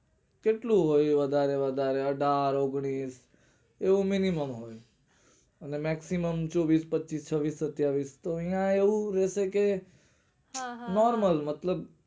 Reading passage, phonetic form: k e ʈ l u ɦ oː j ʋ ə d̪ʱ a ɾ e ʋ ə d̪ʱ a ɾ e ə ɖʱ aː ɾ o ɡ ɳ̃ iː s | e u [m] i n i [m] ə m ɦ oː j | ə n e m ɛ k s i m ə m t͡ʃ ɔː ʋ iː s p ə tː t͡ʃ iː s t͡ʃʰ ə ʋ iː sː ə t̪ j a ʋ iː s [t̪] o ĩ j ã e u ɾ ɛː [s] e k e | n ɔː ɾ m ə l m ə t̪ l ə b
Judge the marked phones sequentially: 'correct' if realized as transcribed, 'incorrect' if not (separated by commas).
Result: correct, correct, correct, correct